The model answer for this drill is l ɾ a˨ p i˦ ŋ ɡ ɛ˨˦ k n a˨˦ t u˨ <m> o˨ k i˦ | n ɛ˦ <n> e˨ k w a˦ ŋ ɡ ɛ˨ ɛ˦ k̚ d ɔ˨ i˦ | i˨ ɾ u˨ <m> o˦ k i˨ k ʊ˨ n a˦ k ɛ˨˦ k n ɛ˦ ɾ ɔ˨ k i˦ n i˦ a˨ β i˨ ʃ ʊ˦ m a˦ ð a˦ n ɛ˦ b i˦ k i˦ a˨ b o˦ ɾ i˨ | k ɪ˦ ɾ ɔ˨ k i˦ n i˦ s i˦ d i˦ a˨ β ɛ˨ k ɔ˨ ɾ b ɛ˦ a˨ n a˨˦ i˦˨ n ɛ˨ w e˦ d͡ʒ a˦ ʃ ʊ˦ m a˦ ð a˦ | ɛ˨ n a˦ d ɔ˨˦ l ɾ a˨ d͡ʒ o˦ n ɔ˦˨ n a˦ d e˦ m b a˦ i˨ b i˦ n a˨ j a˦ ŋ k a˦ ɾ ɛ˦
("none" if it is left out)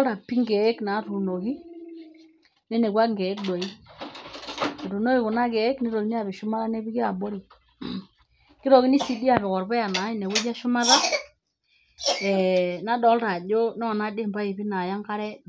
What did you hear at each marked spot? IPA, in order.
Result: n, n, n

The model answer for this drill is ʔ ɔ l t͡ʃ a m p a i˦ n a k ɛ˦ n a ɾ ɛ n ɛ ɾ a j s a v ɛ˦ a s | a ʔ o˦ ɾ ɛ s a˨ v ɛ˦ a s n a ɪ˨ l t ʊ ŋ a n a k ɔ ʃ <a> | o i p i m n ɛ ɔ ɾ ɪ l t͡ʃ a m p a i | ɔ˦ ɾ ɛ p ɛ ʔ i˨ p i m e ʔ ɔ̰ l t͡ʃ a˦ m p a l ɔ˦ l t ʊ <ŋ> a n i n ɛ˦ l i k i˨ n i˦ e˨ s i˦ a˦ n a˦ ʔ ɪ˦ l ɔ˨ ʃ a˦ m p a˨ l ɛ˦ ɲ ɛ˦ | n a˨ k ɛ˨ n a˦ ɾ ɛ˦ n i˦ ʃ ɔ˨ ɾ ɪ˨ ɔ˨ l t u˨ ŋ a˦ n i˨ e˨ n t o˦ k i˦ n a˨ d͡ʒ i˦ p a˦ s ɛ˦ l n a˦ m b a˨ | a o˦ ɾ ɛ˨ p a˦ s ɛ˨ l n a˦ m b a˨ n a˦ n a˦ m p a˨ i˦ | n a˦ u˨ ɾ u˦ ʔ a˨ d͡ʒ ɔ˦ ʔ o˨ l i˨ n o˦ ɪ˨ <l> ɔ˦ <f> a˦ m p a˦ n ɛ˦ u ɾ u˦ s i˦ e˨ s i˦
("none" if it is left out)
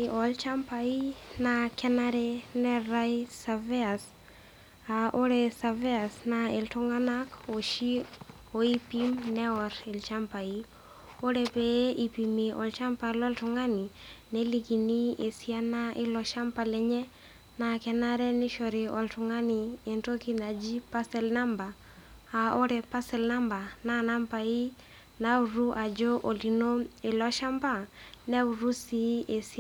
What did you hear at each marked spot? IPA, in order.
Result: i, ŋ, l, ʃ

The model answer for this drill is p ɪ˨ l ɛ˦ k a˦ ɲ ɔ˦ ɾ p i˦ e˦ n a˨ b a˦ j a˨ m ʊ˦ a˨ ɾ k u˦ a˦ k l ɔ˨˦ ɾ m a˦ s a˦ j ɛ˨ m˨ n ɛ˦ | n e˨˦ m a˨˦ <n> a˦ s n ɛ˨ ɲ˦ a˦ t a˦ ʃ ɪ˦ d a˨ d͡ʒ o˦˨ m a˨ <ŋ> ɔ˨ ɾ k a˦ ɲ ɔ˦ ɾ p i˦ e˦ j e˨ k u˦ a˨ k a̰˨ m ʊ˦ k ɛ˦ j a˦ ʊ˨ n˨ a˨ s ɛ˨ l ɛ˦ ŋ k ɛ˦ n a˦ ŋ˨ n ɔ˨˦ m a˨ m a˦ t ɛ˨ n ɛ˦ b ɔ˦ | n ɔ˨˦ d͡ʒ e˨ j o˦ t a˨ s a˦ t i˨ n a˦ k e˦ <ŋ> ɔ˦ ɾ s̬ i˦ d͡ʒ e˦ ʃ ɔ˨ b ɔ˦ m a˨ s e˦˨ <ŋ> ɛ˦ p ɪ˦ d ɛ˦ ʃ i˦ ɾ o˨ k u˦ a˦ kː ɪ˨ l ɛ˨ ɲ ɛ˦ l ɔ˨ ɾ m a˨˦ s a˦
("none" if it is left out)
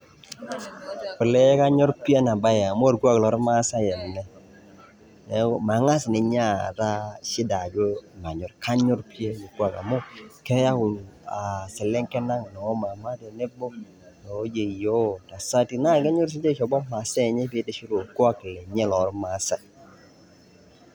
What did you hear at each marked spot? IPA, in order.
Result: ŋ, ɲ, ɲ, ɲ

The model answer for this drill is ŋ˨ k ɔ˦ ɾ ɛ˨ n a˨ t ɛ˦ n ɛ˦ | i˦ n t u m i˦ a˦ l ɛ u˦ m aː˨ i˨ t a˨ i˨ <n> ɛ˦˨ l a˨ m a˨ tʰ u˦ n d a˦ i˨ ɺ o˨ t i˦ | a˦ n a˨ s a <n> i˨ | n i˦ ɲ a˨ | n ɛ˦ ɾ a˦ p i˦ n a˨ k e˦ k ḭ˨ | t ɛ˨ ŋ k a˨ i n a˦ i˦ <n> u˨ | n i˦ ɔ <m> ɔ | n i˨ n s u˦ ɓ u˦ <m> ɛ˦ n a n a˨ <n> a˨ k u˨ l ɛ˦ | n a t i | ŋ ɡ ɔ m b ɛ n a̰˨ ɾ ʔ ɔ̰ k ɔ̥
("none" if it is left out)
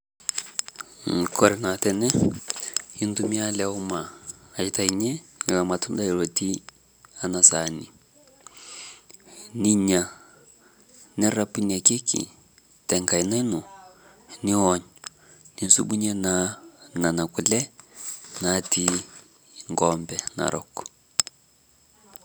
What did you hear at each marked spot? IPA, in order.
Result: ɲ, n, n, ɲ, ɲ, n

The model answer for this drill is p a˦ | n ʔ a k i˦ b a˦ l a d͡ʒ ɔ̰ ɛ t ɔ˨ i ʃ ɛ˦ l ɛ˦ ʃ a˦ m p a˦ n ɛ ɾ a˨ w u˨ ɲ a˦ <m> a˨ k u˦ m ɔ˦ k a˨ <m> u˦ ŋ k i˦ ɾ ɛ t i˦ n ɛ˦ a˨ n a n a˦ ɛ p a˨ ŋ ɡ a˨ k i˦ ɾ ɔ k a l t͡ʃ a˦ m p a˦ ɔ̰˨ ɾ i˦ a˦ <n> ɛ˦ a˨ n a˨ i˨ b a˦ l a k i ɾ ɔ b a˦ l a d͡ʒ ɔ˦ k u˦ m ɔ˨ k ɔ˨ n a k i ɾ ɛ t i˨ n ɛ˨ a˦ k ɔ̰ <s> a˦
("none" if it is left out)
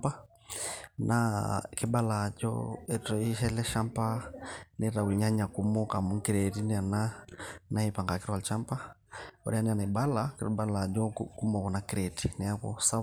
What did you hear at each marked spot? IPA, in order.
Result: ɲ, m, n, s

